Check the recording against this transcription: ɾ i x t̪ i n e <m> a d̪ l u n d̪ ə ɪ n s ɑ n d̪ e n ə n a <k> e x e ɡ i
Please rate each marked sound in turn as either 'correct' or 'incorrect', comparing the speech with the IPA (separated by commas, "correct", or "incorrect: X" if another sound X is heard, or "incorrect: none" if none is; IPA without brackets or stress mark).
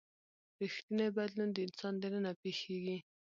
incorrect: b, incorrect: p